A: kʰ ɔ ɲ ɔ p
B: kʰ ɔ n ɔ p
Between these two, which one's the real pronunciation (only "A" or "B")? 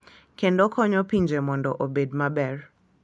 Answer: A